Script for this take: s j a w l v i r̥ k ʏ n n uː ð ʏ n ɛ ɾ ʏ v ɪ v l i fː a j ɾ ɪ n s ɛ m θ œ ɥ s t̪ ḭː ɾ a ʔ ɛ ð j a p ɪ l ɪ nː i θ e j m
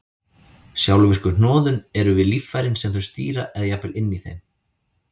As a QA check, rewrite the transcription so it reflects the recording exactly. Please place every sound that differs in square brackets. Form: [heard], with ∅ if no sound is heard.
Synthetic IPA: s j a w l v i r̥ k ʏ n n [ɔː] ð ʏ n ɛ ɾ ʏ v ɪ [ð] l i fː a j ɾ ɪ n s ɛ m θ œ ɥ s t̪ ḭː ɾ a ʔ ɛ ð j a p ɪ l ɪ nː i θ e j m